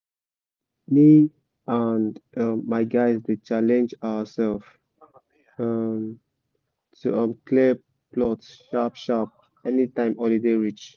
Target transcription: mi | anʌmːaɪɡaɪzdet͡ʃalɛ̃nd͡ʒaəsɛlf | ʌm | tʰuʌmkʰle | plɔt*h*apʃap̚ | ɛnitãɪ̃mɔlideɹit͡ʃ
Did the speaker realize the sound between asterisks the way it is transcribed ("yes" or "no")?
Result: no